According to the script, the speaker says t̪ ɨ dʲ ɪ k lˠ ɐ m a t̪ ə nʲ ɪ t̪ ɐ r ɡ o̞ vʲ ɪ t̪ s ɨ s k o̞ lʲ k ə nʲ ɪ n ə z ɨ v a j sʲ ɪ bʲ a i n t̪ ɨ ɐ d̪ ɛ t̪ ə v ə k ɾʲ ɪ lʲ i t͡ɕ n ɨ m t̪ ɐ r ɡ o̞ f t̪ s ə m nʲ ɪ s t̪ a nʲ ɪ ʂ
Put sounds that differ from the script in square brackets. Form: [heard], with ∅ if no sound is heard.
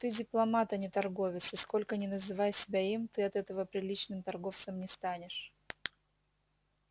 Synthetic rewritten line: t̪ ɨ dʲ ɪ [p] lˠ ɐ m a t̪ ə nʲ ɪ t̪ ɐ r ɡ o̞ vʲ ɪ t̪ s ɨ s k o̞ lʲ k ə nʲ ɪ n ə z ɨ v a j sʲ ɪ bʲ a i [m] t̪ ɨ ɐ [t̪] ɛ t̪ ə v ə [p] ɾʲ ɪ lʲ i t͡ɕ n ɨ m t̪ ɐ r ɡ o̞ f t̪ s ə m nʲ ɪ s t̪ a nʲ ɪ ʂ